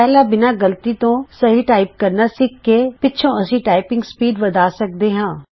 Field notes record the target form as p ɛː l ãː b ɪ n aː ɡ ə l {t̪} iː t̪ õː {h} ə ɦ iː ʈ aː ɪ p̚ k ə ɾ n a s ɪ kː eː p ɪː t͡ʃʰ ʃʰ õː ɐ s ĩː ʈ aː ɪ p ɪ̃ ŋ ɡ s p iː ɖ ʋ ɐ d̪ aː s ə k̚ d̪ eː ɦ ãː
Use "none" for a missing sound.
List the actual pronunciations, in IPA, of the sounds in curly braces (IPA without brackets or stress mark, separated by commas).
t̪, s